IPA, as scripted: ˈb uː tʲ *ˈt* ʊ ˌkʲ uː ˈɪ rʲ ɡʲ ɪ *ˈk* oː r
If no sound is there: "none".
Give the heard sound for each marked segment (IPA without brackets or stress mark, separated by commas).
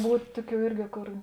t, k